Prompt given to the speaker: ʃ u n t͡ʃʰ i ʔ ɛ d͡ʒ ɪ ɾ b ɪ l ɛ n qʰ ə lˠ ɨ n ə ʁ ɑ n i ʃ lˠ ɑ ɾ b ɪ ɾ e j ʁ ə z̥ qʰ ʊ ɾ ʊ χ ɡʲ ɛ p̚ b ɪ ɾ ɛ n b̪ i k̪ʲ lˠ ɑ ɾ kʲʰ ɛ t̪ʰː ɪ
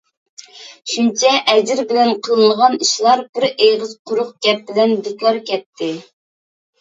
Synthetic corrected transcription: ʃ u n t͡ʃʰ ɛ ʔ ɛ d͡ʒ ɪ ɾ b ɪ l ɛ n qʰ ə lˠ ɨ n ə ʁ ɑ n i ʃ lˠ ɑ ɾ b ɪ ɾ e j ʁ ə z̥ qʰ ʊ ɾ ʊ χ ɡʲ ɛ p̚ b ɪ l ɛ n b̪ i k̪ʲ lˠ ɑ ɾ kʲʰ ɛ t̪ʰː ɪ